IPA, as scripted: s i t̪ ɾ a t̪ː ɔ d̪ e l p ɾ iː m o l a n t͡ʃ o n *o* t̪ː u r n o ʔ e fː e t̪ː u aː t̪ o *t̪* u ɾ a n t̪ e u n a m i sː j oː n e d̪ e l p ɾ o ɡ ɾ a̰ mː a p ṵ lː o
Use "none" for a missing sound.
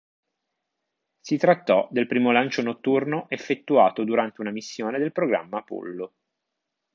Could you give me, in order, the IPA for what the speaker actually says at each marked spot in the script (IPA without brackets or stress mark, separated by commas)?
o, d̪